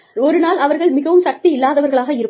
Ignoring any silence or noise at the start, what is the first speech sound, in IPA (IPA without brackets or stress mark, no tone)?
ɔ